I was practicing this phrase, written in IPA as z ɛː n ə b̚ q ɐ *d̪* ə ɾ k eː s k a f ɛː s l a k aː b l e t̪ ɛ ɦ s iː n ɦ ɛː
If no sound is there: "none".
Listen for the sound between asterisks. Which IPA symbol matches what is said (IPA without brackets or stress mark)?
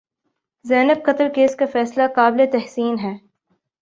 t̪